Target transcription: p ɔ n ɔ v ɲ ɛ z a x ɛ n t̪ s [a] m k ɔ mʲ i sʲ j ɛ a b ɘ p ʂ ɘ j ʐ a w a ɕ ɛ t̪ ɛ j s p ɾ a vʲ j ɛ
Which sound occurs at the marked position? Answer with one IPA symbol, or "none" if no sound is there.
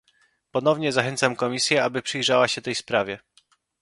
a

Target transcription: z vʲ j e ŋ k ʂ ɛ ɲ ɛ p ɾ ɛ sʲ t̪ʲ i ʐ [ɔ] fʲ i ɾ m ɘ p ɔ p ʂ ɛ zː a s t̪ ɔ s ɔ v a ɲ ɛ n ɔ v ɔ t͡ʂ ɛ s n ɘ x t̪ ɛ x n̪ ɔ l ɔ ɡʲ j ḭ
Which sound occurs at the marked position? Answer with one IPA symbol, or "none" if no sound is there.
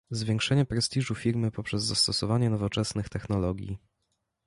u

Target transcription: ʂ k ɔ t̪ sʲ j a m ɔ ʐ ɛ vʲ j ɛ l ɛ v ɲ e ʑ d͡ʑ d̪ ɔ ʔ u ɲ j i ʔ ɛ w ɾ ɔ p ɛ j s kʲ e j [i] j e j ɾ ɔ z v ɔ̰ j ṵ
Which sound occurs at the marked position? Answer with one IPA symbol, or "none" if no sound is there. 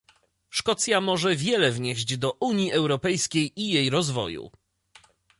i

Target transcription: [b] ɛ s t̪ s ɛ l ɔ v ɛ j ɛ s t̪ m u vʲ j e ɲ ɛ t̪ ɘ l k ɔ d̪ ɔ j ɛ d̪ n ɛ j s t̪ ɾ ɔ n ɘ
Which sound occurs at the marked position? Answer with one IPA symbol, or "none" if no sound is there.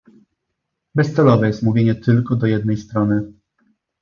b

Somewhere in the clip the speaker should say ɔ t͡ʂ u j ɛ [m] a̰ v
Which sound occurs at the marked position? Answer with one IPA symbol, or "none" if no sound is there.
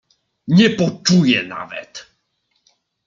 n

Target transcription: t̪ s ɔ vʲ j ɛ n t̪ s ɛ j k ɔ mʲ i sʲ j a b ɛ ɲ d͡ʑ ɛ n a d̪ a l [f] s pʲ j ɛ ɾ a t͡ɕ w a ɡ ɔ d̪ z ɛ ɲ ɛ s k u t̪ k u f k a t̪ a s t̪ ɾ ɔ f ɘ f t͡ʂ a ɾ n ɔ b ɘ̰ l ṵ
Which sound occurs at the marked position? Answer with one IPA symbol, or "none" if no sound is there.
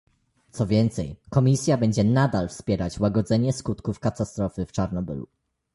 f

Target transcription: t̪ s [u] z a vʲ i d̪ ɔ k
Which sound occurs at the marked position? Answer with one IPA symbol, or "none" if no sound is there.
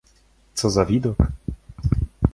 ɔ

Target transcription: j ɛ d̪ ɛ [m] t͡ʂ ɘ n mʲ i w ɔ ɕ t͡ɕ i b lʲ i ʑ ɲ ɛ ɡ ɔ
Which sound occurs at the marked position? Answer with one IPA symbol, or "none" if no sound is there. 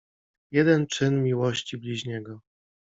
n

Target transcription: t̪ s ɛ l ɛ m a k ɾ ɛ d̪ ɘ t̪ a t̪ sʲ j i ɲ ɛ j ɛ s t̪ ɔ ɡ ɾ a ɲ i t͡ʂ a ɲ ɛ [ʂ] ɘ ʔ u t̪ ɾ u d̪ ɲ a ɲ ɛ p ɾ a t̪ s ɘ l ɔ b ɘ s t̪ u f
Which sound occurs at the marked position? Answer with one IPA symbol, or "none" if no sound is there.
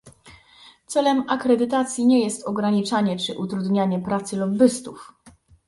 t͡ʂ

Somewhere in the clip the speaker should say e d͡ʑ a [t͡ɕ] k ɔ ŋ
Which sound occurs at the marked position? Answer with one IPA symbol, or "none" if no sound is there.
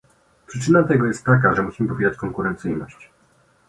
t͡ɕ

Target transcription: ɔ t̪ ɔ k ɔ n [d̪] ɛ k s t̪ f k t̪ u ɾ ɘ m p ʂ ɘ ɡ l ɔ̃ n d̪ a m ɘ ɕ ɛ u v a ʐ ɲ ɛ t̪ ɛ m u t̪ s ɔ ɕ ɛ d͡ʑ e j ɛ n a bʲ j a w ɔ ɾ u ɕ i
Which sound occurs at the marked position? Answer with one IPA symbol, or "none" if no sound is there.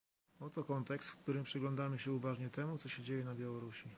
t̪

